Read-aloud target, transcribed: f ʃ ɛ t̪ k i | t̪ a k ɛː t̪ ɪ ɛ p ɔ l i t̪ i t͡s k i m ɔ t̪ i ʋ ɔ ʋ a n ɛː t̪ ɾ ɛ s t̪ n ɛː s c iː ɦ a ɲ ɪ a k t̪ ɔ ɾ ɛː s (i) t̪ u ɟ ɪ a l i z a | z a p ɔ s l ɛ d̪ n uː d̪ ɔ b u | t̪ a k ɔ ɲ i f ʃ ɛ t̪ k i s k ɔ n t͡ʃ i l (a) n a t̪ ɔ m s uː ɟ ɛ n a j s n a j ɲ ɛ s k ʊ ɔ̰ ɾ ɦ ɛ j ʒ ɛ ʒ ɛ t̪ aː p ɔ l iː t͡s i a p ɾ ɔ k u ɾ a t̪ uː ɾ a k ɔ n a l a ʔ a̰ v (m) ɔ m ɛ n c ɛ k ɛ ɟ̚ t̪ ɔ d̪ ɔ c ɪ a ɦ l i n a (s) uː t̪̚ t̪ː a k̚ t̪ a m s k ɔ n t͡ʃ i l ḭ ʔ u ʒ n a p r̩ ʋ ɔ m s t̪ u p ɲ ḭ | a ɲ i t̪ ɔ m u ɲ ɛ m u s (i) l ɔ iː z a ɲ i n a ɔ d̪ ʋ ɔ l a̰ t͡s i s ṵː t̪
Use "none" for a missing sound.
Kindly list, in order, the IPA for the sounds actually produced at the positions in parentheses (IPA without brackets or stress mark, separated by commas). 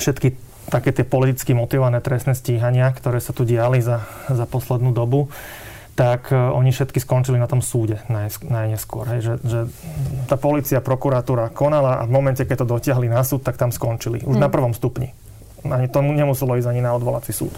a, i, m, s, ɛ